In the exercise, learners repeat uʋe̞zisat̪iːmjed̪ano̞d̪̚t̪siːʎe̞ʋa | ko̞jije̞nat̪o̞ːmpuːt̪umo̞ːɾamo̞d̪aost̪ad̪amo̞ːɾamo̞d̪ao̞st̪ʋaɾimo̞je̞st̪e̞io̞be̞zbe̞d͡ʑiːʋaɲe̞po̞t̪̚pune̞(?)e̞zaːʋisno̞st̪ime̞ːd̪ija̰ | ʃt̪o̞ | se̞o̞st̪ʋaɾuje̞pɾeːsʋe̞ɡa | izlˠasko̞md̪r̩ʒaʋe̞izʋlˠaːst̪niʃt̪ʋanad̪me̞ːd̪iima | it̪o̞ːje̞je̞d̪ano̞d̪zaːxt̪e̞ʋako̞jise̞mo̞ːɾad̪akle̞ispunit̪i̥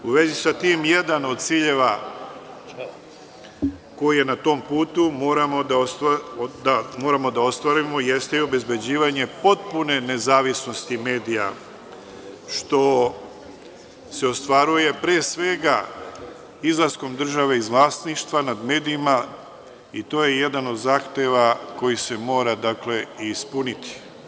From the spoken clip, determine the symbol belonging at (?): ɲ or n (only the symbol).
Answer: n